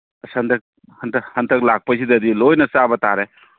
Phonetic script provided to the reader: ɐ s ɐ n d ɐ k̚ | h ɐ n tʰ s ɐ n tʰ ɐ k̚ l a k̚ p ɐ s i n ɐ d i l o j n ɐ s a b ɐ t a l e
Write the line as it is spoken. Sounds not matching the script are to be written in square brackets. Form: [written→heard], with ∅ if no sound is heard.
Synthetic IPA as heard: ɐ s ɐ n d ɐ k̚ | h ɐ n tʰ [s→h] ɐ n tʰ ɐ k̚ l a k̚ p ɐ s i [n→d] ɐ d i l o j n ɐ s a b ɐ t a [l→ɾ] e